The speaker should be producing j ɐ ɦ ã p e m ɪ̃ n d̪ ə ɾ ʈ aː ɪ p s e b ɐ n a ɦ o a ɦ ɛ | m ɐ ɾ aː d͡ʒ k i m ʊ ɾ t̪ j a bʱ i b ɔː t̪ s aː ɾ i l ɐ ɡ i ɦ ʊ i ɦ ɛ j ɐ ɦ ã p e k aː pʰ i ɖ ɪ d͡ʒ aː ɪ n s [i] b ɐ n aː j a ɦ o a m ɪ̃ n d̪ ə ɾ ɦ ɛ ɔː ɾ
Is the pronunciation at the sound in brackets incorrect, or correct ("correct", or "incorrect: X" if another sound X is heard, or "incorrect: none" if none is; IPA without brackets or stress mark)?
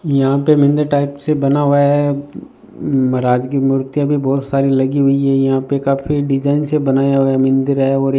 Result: incorrect: e